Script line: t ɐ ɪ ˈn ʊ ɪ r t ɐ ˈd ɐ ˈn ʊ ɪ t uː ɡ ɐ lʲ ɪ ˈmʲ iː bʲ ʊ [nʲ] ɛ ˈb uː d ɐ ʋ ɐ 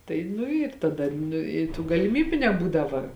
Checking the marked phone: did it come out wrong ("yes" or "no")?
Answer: no